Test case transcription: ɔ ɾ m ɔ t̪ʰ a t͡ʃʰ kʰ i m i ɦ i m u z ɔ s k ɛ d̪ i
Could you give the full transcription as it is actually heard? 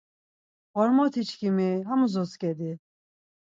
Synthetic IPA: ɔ ɾ m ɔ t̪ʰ i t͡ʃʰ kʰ i m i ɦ a m u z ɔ s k ɛ d̪ i